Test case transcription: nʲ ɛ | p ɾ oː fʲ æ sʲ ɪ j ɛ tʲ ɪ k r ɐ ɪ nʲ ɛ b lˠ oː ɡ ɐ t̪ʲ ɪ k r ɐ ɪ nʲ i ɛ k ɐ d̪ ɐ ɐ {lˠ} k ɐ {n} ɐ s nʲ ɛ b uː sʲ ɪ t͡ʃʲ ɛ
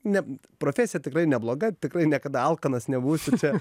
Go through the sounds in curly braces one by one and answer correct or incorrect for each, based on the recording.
correct, correct

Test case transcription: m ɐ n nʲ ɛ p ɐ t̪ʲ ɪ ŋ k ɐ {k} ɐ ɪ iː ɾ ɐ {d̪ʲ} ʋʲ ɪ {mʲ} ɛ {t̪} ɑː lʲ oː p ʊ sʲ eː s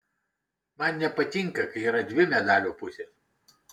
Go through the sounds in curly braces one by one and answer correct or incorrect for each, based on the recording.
correct, correct, correct, incorrect: d̪

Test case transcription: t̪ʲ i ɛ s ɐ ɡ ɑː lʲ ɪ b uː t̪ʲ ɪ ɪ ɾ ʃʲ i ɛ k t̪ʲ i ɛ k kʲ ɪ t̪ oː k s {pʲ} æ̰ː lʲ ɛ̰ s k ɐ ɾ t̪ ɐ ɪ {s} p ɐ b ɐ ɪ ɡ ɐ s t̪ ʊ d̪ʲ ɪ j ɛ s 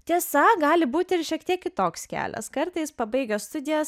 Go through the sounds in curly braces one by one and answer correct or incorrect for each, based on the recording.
incorrect: kʲ, correct

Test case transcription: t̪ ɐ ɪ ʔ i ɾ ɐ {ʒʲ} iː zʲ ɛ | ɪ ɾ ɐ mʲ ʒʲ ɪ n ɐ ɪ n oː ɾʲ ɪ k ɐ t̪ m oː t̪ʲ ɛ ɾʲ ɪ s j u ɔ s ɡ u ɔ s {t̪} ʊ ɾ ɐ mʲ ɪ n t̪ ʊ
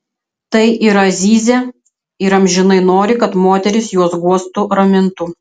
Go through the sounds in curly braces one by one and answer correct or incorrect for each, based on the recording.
incorrect: zʲ, correct

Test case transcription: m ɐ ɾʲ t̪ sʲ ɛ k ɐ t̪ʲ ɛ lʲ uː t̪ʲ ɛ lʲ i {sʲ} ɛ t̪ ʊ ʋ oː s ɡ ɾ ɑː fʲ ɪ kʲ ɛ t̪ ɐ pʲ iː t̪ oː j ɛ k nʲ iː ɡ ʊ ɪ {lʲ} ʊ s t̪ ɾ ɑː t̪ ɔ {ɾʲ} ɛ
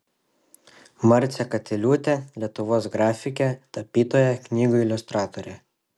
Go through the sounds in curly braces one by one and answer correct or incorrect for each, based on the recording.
incorrect: none, correct, correct

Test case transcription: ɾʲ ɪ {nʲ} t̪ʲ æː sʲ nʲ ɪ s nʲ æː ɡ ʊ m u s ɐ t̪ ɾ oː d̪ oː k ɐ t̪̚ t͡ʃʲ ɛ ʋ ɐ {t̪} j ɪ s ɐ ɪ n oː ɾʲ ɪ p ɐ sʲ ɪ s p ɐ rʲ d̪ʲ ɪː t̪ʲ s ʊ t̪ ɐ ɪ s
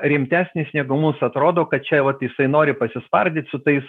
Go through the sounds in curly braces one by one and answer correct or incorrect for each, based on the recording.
incorrect: mʲ, correct

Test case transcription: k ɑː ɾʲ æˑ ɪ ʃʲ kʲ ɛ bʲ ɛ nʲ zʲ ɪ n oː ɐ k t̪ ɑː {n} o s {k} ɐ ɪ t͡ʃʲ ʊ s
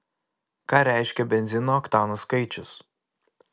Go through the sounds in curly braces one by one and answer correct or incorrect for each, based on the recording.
correct, correct

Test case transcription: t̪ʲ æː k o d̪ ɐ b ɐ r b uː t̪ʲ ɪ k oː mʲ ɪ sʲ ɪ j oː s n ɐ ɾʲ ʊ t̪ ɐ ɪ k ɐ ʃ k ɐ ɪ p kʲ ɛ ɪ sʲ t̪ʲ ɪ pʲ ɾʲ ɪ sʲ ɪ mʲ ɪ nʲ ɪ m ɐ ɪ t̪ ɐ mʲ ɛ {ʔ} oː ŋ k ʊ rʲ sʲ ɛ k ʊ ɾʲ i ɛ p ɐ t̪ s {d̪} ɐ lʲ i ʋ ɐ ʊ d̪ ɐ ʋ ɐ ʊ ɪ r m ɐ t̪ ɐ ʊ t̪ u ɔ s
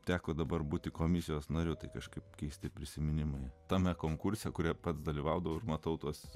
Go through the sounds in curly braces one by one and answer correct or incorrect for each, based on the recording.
incorrect: k, correct

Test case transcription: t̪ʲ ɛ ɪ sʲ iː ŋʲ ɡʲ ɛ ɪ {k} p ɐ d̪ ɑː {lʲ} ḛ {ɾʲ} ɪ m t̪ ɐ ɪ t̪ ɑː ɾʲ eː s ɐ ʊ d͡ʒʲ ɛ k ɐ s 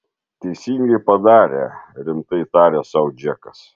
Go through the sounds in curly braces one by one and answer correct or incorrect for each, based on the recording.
incorrect: none, incorrect: ɾʲ, correct

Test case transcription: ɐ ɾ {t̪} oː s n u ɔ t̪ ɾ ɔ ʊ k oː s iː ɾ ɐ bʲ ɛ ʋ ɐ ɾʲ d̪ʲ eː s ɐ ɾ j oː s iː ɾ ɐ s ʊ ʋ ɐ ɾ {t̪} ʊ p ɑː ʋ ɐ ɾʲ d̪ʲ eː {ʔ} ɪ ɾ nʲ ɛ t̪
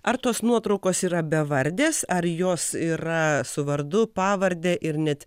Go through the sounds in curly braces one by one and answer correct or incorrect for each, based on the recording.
correct, incorrect: d̪, correct

